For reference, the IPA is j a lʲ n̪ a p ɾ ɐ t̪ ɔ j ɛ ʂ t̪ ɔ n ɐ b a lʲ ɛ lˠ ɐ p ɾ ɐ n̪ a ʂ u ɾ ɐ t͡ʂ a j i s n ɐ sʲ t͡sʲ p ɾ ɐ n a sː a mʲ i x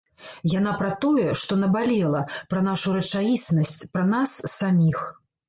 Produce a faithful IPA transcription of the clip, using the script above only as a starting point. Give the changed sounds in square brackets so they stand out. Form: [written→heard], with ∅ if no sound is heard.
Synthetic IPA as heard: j a [lʲ→∅] n̪ a p ɾ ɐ t̪ ɔ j ɛ ʂ t̪ ɔ n ɐ b a lʲ ɛ lˠ ɐ p ɾ ɐ n̪ a ʂ u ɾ ɐ t͡ʂ a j i s n ɐ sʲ t͡sʲ p ɾ ɐ n a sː a mʲ i x